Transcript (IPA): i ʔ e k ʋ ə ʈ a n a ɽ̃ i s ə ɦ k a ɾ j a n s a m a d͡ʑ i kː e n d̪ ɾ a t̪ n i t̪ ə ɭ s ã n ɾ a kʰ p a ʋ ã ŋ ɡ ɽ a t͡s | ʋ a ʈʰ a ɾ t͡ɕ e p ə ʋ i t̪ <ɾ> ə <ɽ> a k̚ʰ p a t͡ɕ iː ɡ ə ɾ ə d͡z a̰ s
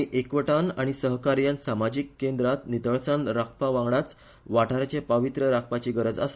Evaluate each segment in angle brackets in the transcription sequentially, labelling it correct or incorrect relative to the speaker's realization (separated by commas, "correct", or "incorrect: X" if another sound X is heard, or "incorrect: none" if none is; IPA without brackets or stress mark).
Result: correct, incorrect: ɾ